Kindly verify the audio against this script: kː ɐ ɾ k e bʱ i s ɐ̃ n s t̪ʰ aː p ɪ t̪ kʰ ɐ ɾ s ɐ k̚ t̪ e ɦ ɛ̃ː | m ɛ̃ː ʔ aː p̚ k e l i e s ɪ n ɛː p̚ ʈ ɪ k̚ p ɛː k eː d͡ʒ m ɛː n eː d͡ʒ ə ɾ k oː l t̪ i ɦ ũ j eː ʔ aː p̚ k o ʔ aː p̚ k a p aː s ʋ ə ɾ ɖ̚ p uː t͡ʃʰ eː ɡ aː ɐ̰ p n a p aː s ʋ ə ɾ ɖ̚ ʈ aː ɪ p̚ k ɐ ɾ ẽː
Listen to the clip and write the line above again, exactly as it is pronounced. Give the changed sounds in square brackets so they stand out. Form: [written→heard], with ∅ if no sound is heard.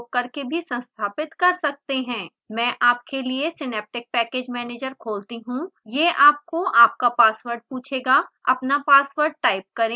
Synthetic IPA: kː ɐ ɾ k e bʱ i s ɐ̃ n s t̪ʰ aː p ɪ t̪ [kʰ→k] ɐ ɾ s ɐ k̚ t̪ e ɦ ɛ̃ː | m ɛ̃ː ʔ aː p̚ k e l i e s ɪ n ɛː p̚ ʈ ɪ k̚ p ɛː k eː d͡ʒ m ɛː n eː d͡ʒ ə ɾ [k→kʰ] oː l t̪ i ɦ ũ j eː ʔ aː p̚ k o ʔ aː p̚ k a p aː s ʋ ə ɾ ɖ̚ p uː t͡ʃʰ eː ɡ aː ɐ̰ p n a p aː s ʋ ə ɾ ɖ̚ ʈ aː ɪ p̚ k ɐ ɾ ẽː